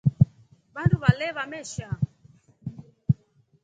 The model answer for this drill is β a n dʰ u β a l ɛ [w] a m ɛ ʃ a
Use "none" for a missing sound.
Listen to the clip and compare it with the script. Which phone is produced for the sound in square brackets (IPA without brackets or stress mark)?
β